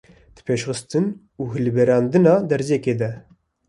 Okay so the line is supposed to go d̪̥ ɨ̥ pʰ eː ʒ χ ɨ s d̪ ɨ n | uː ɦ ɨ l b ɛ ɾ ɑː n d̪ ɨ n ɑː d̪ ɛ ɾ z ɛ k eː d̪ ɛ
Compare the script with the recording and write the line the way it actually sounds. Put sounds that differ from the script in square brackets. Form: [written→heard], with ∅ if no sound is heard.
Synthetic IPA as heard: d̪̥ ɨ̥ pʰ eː [ʒ→ʃ] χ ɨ s [d̪→t̪] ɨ n | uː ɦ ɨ l b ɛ ɾ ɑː n d̪ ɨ n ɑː d̪ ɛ ɾ z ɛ k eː d̪ ɛ